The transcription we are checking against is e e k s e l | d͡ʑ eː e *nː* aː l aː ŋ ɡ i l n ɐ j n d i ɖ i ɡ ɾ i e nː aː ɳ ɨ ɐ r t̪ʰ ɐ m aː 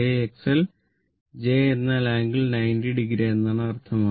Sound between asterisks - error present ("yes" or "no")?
no